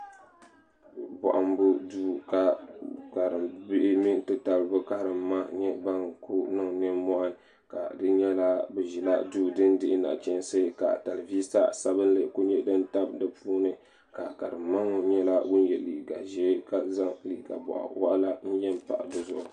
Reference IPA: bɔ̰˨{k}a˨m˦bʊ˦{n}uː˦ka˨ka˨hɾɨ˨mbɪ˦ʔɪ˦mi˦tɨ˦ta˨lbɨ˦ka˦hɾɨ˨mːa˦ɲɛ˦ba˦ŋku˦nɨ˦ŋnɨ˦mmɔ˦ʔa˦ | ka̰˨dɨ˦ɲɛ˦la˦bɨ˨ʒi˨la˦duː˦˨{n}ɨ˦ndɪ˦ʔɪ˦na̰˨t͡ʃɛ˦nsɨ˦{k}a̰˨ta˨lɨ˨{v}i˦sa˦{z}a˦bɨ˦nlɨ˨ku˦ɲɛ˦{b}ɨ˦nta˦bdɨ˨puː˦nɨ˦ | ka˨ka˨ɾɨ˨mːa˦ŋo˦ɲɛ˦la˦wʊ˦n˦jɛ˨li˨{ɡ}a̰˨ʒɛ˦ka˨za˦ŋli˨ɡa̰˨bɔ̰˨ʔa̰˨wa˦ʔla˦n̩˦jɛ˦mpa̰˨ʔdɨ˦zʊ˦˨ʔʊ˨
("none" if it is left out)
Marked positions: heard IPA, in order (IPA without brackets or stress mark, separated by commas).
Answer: ʔ, d, d, k, v, s, d, ɡ